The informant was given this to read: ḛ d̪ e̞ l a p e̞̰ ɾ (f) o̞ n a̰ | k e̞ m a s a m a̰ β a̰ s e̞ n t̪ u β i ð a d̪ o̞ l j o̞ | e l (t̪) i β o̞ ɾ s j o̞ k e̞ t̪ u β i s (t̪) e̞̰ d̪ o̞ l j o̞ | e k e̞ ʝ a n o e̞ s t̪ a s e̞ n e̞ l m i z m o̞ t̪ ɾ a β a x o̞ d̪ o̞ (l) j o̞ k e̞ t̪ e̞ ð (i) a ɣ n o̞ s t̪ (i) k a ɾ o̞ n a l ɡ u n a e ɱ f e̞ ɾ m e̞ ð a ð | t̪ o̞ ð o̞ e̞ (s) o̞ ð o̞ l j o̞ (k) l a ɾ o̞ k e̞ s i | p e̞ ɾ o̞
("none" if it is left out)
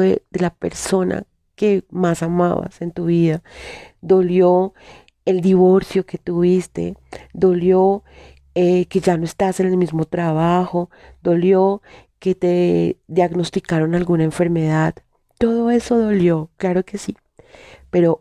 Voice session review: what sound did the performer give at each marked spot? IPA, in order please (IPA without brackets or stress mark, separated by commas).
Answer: s, d̪, t̪, l, j, i, s, k